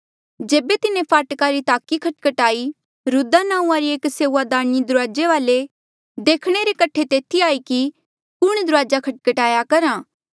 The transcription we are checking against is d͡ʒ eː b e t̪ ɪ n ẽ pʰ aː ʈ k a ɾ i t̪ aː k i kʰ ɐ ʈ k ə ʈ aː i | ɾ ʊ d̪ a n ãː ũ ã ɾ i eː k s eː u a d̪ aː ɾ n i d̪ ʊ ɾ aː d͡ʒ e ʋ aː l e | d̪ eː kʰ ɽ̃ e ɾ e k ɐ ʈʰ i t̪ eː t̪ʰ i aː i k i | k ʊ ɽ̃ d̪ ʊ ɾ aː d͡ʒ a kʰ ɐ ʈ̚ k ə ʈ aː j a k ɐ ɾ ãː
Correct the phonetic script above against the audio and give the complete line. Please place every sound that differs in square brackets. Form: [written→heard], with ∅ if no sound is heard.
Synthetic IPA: d͡ʒ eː b e t̪ ɪ n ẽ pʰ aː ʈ k a ɾ i t̪ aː k i kʰ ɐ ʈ k ə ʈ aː i | ɾ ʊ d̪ a n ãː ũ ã ɾ i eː k s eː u a d̪ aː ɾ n i d̪ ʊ ɾ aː d͡ʒ e ʋ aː l e | d̪ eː kʰ ɽ̃ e ɾ e k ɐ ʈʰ [i→e] t̪ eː t̪ʰ i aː i k i | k ʊ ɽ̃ d̪ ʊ ɾ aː d͡ʒ a kʰ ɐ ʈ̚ k ə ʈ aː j a k ɐ ɾ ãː